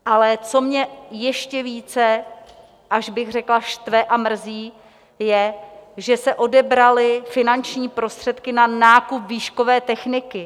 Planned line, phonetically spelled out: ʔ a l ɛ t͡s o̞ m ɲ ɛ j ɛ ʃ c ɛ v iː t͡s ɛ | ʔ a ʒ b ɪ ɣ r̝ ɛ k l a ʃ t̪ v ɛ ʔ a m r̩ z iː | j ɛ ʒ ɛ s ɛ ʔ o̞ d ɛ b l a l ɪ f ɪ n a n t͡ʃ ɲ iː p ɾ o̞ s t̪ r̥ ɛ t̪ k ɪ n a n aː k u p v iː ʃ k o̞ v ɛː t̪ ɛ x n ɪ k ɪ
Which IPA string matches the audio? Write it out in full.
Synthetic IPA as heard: ʔ a l ɛ t͡s o̞ m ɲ ɛ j ɛ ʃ c ɛ v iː t͡s ɛ | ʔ a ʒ b ɪ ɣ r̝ ɛ k l a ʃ t̪ v ɛ ʔ a m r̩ z iː | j ɛ ʒ ɛ s ɛ ʔ o̞ d ɛ b ɾ a l ɪ f ɪ n a n t͡ʃ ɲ iː p ɾ o̞ s t̪ r̥ ɛ t̪ k ɪ n a n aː k u p v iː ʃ k o̞ v ɛː t̪ ɛ x n ɪ k ɪ